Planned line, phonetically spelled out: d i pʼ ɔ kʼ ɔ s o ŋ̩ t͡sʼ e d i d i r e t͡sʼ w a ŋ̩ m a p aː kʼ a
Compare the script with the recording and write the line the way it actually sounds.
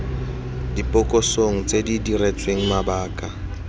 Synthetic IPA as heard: d i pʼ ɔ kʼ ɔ s o ŋ̩ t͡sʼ e d i d i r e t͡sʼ w e ŋ̩ m a b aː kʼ a